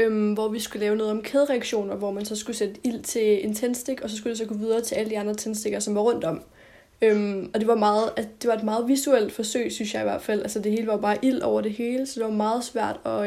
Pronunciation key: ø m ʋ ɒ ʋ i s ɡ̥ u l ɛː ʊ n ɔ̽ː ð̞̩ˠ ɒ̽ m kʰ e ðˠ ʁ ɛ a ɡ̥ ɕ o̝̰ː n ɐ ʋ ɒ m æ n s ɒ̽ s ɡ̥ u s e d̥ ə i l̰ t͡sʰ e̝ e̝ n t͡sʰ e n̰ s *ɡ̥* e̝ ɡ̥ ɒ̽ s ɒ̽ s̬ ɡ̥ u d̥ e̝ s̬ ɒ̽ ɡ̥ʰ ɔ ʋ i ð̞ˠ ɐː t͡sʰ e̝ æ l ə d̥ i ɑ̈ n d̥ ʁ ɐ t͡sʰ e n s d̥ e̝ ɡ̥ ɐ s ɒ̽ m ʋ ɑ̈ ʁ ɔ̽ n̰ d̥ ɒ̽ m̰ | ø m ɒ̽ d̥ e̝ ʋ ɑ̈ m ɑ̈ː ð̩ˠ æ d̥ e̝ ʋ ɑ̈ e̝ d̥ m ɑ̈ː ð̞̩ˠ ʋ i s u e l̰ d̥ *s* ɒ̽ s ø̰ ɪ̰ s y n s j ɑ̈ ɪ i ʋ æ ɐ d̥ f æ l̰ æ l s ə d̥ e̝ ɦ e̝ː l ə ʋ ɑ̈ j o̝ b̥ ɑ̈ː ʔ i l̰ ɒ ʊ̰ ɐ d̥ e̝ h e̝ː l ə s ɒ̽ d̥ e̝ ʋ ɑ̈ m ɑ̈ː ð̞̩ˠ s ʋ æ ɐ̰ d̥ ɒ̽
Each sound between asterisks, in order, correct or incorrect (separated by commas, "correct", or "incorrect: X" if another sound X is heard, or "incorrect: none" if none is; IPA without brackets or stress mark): incorrect: d̥, incorrect: f